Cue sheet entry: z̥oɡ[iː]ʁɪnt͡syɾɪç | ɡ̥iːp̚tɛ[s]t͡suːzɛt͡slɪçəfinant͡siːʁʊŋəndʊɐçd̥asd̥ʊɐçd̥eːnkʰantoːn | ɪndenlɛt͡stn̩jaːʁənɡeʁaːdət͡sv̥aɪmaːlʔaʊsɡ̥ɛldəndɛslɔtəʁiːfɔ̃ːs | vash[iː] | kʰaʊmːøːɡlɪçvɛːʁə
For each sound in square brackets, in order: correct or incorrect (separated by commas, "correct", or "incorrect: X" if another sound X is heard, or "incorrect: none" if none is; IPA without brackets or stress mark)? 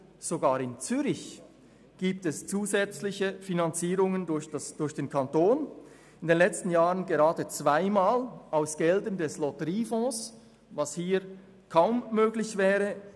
incorrect: aː, correct, correct